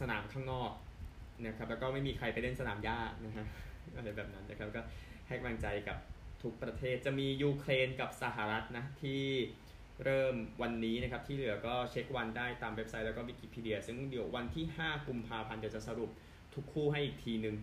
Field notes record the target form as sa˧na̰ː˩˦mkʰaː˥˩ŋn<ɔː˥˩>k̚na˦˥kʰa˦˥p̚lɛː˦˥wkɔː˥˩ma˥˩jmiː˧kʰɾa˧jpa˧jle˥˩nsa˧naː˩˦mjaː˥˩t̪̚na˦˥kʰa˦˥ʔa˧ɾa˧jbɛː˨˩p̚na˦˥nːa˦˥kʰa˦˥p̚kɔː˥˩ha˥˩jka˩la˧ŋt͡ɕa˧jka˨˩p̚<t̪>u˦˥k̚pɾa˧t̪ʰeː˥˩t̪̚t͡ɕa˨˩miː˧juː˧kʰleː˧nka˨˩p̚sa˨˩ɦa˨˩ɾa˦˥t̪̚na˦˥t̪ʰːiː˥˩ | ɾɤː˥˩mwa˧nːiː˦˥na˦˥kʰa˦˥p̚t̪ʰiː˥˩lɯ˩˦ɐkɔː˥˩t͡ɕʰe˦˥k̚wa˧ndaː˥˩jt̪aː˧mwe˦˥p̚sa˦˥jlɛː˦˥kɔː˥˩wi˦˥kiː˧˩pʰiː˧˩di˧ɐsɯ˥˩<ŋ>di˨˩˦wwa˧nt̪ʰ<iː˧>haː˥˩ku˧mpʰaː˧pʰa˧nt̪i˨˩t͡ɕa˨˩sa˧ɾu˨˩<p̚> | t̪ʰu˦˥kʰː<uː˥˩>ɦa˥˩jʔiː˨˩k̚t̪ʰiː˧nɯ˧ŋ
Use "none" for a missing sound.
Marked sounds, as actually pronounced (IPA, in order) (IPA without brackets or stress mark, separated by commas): ɔː˥˩, t̪ʰ, ŋ, iː˥˩, p̚, uː˥˩